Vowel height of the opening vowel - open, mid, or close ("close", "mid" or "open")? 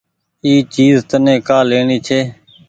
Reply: close